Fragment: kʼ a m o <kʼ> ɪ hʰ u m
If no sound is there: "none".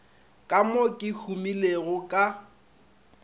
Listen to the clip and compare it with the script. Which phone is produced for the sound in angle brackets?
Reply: kʼ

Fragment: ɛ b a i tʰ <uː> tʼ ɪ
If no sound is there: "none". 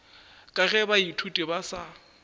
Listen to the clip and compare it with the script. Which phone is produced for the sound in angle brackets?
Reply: u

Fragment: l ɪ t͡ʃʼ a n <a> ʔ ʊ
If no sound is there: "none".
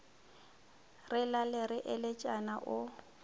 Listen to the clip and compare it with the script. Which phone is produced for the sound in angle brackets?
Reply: a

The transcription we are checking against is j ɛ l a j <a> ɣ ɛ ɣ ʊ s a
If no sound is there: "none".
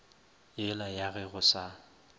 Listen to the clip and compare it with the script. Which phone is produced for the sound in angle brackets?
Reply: a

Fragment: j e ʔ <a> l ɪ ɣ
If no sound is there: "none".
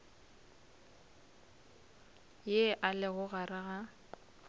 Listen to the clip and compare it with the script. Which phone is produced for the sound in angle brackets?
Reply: a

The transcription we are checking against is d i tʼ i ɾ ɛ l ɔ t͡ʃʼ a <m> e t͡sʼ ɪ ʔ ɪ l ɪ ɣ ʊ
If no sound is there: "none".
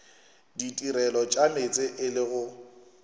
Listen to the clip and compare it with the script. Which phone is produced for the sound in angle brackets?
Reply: m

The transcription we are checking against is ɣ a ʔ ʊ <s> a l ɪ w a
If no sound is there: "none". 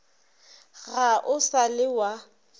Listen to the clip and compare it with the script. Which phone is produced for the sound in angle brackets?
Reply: s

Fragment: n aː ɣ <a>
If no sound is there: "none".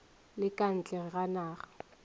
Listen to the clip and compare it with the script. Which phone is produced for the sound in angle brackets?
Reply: a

